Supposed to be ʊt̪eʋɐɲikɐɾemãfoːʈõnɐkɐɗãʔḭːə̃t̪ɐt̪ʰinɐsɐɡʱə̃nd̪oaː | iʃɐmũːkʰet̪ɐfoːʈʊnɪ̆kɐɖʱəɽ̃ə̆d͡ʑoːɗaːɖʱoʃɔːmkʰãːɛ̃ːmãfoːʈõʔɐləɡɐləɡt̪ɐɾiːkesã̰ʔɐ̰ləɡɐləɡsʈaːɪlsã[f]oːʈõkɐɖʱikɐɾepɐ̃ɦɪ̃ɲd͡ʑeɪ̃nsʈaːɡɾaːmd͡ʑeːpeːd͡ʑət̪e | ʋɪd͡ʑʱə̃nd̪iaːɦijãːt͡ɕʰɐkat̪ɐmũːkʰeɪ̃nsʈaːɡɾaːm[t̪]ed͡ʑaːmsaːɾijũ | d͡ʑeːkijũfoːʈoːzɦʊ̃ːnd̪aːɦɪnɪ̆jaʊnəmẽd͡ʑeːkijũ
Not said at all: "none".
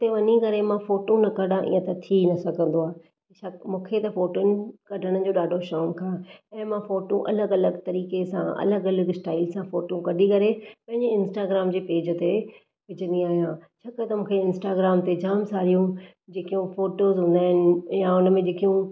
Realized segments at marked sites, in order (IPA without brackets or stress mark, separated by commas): f, t̪